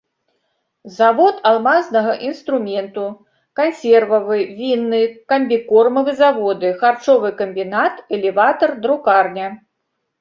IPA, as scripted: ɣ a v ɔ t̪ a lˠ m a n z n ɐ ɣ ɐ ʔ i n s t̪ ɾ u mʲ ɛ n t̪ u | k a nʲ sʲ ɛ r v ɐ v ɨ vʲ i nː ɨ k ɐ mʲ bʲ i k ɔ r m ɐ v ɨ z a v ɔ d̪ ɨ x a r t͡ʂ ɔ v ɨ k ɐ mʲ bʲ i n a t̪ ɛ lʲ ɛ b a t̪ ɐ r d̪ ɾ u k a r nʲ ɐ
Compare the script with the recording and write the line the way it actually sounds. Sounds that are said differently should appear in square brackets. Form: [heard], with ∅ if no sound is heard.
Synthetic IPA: [z] a v ɔ t̪ a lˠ m a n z n ɐ ɣ ɐ ʔ i n s t̪ ɾ u mʲ ɛ n t̪ u | k a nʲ sʲ ɛ r v ɐ v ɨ vʲ i nː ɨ k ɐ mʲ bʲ i k ɔ r m ɐ v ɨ z a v ɔ d̪ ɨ x a r t͡ʂ ɔ v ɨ k ɐ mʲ bʲ i n a t̪ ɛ lʲ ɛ [v] a t̪ ɐ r d̪ ɾ u k a r nʲ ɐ